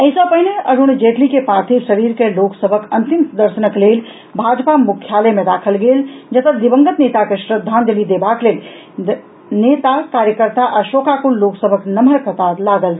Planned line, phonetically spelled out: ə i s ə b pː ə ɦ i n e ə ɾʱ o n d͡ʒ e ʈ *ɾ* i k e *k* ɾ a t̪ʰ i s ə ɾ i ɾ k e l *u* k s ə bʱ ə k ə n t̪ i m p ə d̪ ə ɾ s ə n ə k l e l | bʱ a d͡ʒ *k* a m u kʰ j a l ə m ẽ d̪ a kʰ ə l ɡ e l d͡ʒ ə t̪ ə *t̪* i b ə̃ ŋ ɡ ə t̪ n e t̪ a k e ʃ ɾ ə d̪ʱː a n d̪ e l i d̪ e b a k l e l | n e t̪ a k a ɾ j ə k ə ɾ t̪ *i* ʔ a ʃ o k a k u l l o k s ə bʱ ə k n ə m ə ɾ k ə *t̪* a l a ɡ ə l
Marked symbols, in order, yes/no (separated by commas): no, no, no, no, no, no, yes